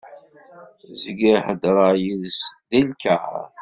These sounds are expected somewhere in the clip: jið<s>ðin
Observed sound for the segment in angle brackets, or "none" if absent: s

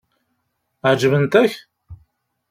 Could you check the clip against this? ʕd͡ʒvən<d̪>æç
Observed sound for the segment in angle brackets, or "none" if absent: t̪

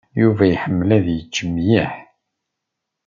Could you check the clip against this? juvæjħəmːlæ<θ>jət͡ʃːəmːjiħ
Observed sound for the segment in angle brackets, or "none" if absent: ð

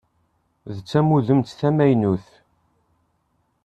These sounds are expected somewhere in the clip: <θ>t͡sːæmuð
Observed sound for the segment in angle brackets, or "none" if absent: ð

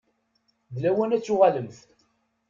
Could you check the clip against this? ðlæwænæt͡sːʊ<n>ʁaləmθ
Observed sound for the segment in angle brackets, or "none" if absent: none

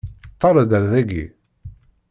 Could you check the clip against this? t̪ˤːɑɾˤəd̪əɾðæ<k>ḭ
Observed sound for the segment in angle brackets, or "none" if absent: ɡ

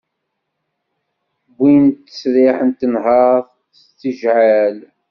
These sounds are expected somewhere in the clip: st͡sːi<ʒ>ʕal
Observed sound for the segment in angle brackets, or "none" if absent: ʒ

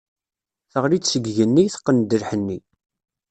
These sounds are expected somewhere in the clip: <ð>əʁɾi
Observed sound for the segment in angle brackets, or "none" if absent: θ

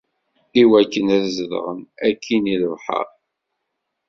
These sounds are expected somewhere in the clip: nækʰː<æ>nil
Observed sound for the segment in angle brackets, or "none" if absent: i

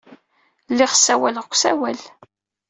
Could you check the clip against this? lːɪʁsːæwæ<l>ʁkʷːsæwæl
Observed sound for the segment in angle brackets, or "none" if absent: l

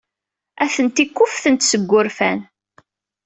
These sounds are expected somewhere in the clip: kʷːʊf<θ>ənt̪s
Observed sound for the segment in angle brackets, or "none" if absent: θ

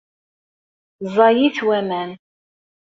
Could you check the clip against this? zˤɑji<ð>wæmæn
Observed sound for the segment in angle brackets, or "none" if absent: θ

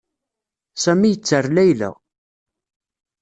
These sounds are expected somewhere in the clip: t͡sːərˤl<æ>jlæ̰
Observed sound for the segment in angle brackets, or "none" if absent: æ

